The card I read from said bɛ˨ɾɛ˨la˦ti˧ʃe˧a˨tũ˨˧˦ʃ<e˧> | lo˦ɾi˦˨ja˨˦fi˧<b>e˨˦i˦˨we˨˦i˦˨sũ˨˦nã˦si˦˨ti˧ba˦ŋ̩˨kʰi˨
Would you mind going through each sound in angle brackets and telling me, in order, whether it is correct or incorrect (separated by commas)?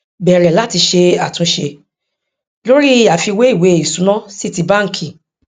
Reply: correct, incorrect